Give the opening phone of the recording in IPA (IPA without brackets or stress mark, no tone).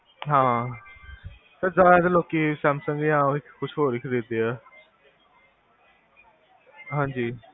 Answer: ɦ